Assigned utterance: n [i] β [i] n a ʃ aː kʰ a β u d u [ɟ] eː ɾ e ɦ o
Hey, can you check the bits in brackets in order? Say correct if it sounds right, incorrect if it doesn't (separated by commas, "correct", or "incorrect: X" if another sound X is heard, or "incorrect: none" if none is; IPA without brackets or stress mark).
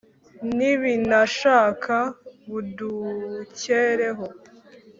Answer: correct, correct, incorrect: c